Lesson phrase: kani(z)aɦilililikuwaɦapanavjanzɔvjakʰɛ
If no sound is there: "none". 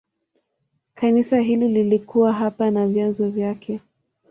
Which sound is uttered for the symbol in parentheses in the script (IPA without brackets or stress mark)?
s